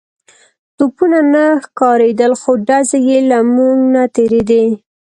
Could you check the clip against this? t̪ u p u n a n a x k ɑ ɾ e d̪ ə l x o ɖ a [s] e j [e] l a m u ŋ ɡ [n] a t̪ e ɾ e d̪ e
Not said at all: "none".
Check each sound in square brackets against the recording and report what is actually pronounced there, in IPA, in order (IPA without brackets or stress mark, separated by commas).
z, e, n